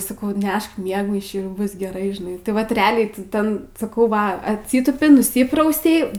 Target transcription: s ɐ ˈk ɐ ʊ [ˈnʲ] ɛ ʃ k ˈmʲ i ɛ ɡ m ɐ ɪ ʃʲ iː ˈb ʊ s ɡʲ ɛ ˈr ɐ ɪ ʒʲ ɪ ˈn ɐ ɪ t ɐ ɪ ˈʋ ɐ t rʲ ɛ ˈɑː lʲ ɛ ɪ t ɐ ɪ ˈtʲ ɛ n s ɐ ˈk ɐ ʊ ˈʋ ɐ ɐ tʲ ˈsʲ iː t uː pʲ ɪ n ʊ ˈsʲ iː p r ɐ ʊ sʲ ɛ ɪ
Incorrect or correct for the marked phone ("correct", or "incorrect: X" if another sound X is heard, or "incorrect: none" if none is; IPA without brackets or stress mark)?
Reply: correct